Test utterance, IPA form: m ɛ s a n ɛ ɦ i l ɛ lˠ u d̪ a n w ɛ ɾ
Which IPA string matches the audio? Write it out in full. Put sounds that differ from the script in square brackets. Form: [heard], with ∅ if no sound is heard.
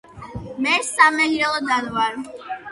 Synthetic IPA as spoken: m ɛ s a [m] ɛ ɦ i [ɾ] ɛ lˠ [ɔ] d̪ a n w [a] ɾ